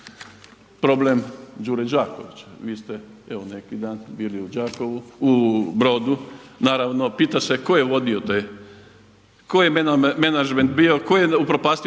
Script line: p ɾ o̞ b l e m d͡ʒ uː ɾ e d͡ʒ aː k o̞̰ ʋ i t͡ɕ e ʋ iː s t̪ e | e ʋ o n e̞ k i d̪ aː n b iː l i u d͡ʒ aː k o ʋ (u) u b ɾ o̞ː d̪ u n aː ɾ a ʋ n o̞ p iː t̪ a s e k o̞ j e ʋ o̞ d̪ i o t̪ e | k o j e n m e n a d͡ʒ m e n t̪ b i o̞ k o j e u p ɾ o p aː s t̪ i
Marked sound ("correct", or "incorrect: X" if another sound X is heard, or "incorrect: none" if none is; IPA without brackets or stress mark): correct